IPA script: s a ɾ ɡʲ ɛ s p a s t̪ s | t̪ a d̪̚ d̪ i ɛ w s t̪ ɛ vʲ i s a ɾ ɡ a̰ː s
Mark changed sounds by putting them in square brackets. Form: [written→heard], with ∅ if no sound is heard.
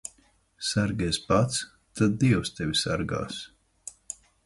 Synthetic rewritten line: s a ɾ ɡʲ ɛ s p a [s→∅] t̪ s | t̪ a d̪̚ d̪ i ɛ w s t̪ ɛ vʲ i s a ɾ ɡ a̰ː s